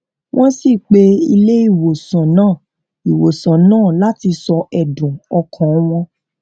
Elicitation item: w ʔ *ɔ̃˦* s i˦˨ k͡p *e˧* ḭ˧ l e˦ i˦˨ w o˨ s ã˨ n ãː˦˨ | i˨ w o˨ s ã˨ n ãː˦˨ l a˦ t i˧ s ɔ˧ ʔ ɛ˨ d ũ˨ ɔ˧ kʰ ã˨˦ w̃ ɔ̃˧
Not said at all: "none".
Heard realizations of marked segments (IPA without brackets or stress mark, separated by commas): ɔ̃˦, e˧